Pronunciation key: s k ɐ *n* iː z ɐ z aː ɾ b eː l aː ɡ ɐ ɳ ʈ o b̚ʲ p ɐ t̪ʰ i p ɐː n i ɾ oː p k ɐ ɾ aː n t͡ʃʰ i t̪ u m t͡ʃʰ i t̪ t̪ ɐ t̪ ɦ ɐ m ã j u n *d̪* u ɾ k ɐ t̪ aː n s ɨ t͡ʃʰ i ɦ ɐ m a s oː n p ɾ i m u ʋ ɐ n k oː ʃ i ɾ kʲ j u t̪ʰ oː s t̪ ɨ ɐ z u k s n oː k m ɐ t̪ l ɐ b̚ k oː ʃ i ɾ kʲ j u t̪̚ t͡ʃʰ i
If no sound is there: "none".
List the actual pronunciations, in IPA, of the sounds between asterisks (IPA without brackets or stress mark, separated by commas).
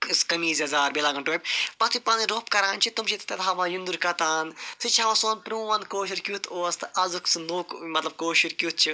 m, d̪